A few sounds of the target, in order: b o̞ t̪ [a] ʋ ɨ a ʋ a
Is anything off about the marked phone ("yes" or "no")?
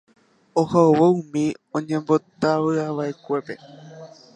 no